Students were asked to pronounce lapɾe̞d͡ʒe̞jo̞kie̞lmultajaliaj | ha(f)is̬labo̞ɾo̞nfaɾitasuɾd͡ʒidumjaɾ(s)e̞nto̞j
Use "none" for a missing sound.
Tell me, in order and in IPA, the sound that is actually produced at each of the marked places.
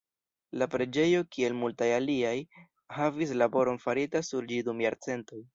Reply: v, t͡s

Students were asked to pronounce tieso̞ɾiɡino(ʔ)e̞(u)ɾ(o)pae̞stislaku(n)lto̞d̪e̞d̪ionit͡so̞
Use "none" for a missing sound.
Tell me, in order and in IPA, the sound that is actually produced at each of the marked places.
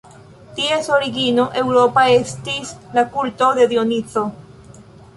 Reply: ʔ, w, o, none

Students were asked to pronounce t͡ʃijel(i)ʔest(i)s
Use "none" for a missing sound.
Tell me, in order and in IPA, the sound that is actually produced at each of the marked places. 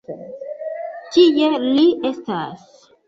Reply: i, a

